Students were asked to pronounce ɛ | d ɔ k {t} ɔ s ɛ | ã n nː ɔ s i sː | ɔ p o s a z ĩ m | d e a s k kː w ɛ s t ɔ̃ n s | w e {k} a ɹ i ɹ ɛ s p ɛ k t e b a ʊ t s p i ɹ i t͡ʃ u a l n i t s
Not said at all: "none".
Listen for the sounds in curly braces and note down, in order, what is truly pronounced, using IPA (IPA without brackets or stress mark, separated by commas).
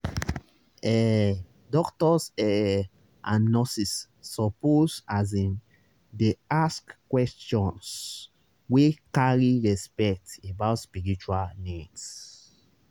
t, k